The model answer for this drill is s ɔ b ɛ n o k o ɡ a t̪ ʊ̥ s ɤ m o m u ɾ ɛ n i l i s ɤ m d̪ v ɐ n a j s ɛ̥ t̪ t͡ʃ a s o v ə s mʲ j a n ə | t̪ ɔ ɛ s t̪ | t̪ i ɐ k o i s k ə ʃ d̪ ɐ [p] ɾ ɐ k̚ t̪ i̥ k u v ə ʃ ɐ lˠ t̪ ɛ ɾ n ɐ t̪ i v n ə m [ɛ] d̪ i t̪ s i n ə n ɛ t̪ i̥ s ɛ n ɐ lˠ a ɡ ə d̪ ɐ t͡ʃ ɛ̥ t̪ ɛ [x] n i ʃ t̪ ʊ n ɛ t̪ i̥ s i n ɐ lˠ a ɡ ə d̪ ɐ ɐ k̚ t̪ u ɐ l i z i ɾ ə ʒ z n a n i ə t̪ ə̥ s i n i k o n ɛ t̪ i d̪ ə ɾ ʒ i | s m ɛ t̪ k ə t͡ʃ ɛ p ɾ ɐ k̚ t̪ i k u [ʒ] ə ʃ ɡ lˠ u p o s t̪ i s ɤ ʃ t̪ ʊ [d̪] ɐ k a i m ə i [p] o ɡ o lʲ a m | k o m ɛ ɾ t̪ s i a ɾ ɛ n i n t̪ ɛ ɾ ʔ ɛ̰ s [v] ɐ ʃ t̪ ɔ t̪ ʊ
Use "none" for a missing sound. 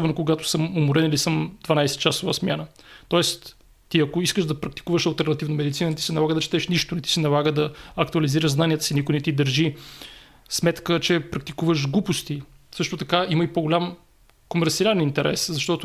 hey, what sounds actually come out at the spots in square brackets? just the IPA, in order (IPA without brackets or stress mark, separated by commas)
p, ɛ, ʃ, v, t̪, p, z